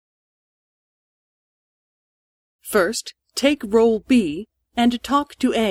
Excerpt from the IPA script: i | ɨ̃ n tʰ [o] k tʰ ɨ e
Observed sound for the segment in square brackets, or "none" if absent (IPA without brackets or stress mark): ɔ